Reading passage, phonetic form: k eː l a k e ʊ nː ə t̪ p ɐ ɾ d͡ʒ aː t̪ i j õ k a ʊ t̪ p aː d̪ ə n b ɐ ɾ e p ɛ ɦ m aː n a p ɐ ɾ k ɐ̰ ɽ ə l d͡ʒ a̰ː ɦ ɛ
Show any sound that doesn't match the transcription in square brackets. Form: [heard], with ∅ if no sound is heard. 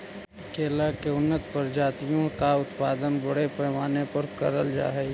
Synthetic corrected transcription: k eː l a k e ʊ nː ə t̪ p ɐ ɾ d͡ʒ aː t̪ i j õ k a ʊ t̪ p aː d̪ ə n b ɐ [ɽ] e p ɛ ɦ m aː n [e] p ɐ ɾ k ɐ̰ [ɾ] ə l d͡ʒ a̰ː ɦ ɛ

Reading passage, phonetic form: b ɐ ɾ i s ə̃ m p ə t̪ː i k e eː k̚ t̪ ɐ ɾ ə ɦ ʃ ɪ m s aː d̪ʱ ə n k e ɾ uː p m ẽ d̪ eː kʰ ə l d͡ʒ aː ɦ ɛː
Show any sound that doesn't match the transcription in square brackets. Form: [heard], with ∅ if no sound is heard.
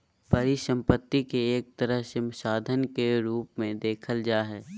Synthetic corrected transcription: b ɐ ɾ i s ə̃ m p ə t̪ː i k e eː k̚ t̪ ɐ ɾ ə ɦ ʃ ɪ m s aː d̪ʱ ə n k e ɾ uː p m ẽ d̪ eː kʰ ə l d͡ʒ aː ɦ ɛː

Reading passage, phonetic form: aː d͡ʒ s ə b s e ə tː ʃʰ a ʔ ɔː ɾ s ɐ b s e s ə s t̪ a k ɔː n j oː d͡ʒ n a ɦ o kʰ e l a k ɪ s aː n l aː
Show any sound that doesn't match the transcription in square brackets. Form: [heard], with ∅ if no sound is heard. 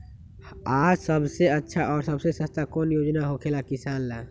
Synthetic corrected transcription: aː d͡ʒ s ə b s e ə tː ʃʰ a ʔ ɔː ɾ s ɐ b s e s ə s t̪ a k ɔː n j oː d͡ʒ n a ɦ o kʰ e l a k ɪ s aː n l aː

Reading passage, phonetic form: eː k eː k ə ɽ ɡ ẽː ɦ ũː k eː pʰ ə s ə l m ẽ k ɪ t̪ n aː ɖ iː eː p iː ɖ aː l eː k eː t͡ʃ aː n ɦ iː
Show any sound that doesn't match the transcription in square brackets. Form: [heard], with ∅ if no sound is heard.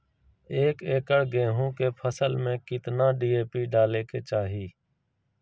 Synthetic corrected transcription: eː k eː k ə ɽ ɡ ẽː ɦ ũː k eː pʰ ə s ə l m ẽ k ɪ t̪ n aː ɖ iː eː p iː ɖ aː l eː k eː t͡ʃ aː [∅] ɦ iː

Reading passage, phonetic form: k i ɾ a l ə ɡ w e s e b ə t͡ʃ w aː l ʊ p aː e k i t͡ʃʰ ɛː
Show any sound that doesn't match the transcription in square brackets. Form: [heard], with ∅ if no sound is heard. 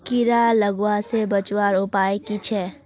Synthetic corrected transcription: k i ɾ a l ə ɡ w [a] s e b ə t͡ʃ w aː [ɾ] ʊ p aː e k i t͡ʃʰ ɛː

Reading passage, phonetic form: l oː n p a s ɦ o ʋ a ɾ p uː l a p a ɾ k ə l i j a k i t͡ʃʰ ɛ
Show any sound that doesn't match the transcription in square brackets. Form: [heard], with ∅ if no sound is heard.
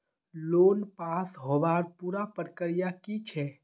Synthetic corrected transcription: l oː n p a s ɦ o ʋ a ɾ p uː [ɾ] a p [ə] ɾ k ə [ɾ] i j a k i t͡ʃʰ ɛ

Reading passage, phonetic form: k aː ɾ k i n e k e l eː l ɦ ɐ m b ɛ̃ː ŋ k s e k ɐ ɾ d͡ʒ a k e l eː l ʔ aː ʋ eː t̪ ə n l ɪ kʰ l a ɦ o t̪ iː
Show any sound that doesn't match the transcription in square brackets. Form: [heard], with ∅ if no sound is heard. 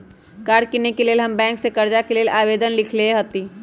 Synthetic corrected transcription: k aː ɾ k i n e k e l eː l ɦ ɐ m b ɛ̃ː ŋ k s e k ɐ ɾ d͡ʒ a k e l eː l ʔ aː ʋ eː [d̪] ə n l ɪ kʰ l [e] ɦ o t̪ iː

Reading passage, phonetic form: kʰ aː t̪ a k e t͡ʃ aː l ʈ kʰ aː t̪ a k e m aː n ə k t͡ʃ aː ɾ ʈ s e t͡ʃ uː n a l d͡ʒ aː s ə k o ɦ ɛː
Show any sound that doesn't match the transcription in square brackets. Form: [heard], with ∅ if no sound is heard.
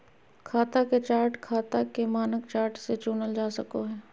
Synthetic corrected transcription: kʰ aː t̪ a k e t͡ʃ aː [ɾ] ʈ kʰ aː t̪ a k e m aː n ə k t͡ʃ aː ɾ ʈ s e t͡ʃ uː n [ə] l d͡ʒ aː s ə k o ɦ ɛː

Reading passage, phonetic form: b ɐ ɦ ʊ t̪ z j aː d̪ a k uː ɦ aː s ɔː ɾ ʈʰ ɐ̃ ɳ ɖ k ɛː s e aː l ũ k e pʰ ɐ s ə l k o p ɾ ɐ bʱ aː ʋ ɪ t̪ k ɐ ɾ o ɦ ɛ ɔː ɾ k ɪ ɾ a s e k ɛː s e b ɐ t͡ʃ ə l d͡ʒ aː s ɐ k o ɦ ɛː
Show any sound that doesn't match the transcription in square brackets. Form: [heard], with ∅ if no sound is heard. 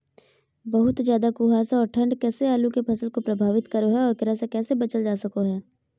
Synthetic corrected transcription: b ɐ ɦ ʊ t̪ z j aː d̪ a k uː ɦ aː s ɔː ɾ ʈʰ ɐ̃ ɳ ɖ k ɛː s e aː l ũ k e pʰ ɐ s ə l k o p ɾ ɐ bʱ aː ʋ ɪ t̪ k ɐ ɾ o ɦ ɛ ɔː ɾ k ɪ ɾ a s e k ɛː s e b ɐ t͡ʃ ə l d͡ʒ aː s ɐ k o ɦ ɛː

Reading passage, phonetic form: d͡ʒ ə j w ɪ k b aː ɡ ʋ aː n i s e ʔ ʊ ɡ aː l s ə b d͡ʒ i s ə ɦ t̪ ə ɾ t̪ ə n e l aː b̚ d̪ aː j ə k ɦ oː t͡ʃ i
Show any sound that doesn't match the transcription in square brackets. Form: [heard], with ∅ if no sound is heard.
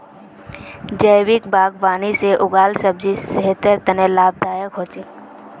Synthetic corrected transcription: d͡ʒ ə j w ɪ k b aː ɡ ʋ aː n i s e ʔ ʊ ɡ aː l s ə b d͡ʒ i s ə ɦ t̪ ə ɾ t̪ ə n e l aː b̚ d̪ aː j ə k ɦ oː t͡ʃ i

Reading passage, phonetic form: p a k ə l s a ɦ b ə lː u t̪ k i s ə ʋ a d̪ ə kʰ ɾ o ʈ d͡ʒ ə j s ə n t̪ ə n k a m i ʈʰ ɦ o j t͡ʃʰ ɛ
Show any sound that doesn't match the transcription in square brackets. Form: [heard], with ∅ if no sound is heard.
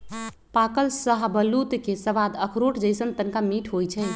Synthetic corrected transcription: p a k ə l s [ə] ɦ b ə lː u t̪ k [e] s ə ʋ a d̪ ə kʰ ɾ o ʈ d͡ʒ ə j s ə n t̪ ə n k a m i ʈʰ ɦ o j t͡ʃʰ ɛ

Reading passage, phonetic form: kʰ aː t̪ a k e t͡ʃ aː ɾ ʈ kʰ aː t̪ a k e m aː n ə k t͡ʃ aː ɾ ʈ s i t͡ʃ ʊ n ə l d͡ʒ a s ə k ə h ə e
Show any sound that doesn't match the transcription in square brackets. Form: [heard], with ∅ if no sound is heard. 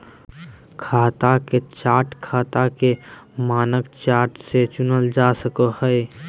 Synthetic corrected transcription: kʰ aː t̪ a k e t͡ʃ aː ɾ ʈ kʰ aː t̪ a k e m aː n ə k t͡ʃ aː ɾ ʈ s [e] t͡ʃ ʊ n ə l d͡ʒ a s ə k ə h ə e

